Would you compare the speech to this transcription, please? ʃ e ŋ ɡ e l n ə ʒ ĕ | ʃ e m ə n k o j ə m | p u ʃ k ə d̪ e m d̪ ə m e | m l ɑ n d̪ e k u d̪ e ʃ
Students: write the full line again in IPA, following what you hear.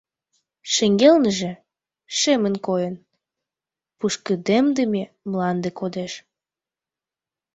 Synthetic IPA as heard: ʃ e ŋ ɡ e l n ə ʒ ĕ | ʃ e m ə n k o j ə n | p u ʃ k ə d̪ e m d̪ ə m e | m l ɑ n d̪ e k o d̪ e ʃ